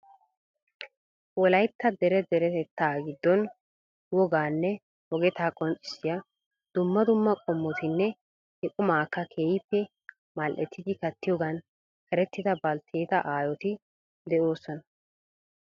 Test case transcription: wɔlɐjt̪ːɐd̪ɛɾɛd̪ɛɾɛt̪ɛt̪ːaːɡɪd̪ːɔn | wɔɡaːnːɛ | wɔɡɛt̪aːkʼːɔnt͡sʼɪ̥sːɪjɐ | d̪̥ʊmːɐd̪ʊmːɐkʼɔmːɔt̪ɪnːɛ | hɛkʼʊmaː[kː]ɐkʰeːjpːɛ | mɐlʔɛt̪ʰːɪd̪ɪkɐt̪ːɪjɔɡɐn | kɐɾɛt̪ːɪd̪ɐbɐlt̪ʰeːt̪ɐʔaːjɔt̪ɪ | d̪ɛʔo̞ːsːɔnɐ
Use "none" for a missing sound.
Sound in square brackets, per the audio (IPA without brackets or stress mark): kː